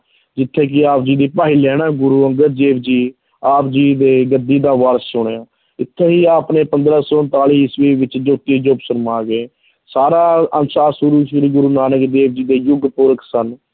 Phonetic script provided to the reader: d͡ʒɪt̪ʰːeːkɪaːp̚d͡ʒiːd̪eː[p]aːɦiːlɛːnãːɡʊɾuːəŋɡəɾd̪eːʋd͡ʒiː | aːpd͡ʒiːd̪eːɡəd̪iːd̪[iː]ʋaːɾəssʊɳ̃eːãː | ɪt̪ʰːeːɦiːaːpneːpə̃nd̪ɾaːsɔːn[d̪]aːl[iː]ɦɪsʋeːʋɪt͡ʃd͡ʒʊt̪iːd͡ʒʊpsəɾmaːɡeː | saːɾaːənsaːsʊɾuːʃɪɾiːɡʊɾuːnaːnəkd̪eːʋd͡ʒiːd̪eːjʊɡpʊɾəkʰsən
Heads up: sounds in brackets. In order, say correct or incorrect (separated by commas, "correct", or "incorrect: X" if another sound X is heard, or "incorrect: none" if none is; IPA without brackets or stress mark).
correct, incorrect: aː, incorrect: t̪, correct